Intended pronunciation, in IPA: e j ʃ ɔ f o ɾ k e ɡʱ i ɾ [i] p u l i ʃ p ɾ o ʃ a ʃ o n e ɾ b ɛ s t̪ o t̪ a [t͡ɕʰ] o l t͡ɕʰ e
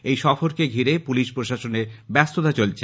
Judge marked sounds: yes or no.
no, no

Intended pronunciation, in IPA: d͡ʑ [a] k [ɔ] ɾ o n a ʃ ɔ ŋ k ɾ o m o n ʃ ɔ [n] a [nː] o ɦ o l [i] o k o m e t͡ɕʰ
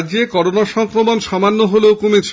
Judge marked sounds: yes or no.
no, yes, no, yes, no

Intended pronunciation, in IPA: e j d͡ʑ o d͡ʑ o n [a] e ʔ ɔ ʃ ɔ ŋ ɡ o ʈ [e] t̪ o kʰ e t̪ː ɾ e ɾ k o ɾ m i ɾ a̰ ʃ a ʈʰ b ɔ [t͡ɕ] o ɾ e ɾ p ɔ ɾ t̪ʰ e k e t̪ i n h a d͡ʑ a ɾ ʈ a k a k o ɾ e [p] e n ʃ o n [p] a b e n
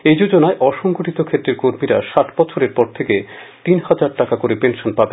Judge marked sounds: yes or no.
yes, no, no, yes, yes

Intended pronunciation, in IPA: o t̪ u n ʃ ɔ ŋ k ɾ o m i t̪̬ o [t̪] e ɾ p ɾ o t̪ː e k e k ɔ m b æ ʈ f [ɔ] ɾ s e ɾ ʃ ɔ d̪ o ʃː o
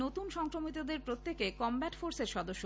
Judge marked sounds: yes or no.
no, no

